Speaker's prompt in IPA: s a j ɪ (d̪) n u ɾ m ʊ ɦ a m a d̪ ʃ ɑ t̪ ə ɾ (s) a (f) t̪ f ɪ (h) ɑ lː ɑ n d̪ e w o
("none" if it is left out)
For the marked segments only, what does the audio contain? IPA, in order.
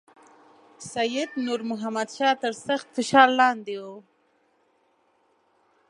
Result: d̪, s, x, ʃ

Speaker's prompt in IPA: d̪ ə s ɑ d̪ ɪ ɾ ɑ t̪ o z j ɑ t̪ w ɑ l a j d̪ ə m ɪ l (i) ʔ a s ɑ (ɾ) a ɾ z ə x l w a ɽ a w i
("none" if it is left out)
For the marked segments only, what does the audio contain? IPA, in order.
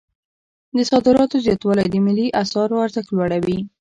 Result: i, ɾ

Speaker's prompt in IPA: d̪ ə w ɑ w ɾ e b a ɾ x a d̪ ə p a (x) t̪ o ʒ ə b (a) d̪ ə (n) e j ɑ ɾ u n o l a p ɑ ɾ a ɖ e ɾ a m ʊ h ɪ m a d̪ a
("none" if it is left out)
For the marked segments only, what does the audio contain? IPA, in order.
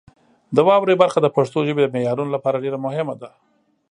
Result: ʂ, e, m

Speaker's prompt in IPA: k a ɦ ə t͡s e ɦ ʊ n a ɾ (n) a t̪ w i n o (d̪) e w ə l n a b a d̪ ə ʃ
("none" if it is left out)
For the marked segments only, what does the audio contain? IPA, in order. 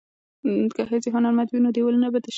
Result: m, d̪

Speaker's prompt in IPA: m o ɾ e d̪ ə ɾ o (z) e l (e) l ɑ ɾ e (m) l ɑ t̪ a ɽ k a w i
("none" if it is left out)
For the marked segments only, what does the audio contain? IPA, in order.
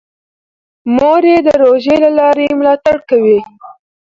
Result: ʒ, a, m

